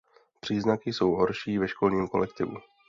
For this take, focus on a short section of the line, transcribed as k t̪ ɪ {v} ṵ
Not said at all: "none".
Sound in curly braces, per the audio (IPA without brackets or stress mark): v